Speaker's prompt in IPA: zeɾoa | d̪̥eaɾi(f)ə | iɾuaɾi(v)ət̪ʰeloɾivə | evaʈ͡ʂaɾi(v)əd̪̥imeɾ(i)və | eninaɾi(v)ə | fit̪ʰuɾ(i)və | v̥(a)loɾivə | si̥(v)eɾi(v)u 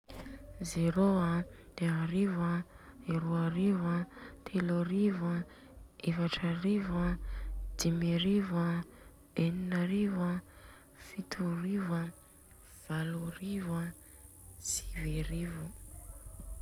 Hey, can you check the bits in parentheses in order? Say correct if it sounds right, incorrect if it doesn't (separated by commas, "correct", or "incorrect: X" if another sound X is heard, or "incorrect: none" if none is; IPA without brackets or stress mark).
incorrect: v, correct, correct, correct, correct, correct, correct, correct, correct